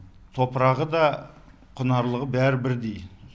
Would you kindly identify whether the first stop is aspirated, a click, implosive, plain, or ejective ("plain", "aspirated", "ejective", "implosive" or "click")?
aspirated